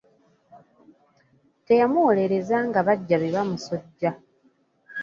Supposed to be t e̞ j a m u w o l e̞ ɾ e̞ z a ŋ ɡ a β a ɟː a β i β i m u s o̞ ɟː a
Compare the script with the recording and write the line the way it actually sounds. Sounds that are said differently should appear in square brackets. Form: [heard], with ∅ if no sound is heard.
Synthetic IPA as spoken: t e̞ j a m u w o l e̞ ɾ e̞ z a ŋ ɡ a β a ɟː a β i β [a] m u s o̞ ɟː a

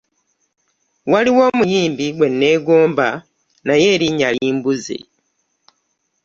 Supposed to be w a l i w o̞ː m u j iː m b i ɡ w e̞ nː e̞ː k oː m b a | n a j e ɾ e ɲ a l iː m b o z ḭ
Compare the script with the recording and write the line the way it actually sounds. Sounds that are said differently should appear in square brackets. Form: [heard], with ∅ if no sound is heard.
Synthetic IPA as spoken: w a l i w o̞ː m u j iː m b i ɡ w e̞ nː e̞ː [ɡ] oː m b a | n a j e ɾ [i] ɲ a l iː m b [u] z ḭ

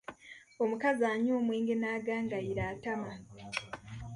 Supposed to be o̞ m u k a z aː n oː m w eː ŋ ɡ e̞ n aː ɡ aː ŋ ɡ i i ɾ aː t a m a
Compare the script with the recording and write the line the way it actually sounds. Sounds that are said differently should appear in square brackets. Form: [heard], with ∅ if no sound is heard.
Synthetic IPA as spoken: o̞ m u k a z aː [ɲ] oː m w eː ŋ ɡ e̞ n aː ɡ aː ŋ ɡ [a] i ɾ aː t a m a

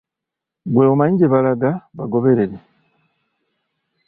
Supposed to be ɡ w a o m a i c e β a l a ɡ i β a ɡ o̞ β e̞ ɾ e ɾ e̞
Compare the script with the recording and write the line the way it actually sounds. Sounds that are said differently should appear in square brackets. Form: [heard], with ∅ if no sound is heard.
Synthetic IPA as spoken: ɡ w [e] o m a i [ɟ] e β a l a ɡ [a] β a ɡ o̞ β e̞ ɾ e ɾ e̞

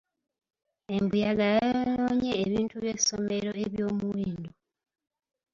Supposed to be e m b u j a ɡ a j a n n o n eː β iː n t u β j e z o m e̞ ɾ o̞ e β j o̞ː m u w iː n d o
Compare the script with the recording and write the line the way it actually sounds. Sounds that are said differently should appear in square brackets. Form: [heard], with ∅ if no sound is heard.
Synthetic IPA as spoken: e m b u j a ɡ a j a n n o [ɲ] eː β iː n t u β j e [s] o m e̞ ɾ o̞ e β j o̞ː m u w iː n d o

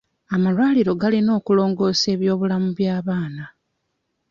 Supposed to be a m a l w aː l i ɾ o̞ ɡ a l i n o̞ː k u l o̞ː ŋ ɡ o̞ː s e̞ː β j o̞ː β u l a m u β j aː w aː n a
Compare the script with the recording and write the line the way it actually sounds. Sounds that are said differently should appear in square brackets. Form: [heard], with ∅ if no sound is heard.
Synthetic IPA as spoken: a m a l w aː l i ɾ o̞ ɡ a l i n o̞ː k u l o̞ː ŋ ɡ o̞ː s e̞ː β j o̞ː β u l a m u β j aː [β] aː n a

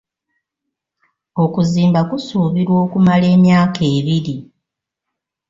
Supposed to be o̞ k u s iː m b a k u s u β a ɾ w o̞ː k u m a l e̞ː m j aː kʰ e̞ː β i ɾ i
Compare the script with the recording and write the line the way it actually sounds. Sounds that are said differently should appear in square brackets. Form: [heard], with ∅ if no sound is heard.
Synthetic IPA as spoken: o̞ k u [z] iː m b a k u s u β [i] ɾ w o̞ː k u m a l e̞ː m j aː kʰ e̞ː β i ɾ i

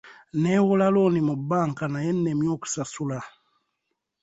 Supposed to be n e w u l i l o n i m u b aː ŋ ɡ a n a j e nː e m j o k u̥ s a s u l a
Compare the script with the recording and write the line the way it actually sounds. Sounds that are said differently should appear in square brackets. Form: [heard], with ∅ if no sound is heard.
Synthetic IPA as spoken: n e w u l [a] l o n i m u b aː ŋ [k] a n a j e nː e m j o k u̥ s a s u l a

